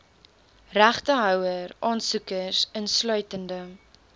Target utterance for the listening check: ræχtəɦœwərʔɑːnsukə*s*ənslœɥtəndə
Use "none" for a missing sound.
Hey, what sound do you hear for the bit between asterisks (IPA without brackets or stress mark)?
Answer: s